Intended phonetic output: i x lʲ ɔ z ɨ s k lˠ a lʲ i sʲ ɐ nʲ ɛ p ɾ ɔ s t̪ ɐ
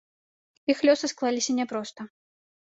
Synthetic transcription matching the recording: i x lʲ ɔ s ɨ s k lˠ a lʲ i sʲ ɐ nʲ ɛ p ɾ ɔ s t̪ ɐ